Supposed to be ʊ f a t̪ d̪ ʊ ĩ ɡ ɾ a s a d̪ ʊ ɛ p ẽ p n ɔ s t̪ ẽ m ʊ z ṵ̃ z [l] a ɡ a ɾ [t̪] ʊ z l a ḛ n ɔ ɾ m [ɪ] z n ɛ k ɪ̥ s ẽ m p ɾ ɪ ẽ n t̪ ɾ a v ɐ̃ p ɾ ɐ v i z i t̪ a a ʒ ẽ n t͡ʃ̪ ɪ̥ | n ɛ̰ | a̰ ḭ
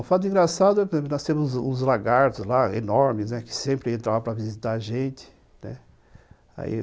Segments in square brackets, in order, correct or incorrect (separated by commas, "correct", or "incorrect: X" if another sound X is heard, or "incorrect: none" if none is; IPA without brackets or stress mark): correct, correct, correct